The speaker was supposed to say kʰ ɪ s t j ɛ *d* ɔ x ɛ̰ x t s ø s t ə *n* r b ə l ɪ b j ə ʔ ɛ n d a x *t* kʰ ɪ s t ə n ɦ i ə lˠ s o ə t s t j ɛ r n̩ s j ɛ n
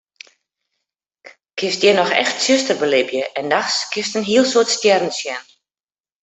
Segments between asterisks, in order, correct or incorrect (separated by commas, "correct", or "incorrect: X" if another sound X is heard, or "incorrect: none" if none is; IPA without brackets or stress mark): incorrect: n, incorrect: none, incorrect: s